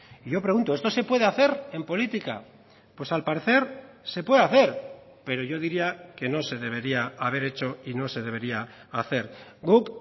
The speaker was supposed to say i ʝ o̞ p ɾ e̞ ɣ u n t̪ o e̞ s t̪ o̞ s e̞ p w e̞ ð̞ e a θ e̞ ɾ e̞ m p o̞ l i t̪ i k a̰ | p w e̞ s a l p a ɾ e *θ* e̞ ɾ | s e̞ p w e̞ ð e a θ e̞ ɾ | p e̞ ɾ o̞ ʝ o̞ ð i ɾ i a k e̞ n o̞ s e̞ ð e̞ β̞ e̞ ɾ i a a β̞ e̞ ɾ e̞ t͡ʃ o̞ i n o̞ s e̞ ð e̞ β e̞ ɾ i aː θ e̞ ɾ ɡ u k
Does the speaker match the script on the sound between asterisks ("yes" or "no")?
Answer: yes